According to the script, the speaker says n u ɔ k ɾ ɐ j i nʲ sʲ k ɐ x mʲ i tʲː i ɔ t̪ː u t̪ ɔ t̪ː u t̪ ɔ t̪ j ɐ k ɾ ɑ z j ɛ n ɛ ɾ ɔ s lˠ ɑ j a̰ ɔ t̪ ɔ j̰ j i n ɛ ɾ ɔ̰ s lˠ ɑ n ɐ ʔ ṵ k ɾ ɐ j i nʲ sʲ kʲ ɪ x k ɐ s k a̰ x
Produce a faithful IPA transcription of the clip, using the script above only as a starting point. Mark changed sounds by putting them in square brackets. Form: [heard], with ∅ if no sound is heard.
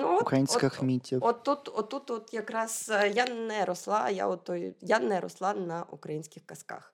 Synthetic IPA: n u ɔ k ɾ ɐ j i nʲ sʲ k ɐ x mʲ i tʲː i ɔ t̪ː u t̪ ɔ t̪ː u t̪ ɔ t̪ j ɐ k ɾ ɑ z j [a] n ɛ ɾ ɔ s lˠ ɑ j a̰ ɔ t̪ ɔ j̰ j [a] n ɛ ɾ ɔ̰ s lˠ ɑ n ɐ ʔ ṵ k ɾ ɐ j i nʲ sʲ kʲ ɪ x k ɐ s k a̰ x